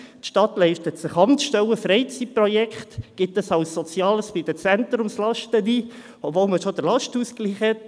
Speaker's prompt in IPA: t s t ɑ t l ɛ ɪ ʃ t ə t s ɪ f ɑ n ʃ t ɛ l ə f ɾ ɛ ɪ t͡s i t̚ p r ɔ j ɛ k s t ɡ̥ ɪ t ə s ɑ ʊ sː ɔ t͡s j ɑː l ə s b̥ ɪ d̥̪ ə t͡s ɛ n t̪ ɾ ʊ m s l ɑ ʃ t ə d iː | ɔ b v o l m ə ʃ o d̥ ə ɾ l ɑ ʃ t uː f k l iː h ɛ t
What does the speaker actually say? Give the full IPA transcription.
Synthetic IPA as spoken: t ʃ t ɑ t l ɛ ɪ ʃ t ə t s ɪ χ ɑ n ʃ t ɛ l ə f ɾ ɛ ɪ t͡s i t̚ p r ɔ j ɛ k χ t ɡ̥ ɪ t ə s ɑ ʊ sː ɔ t͡s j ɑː l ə s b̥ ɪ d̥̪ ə t͡s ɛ n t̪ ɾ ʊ m s l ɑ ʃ t ə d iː | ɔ b v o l m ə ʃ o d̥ ə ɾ l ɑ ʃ t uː s k l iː χ ɛ t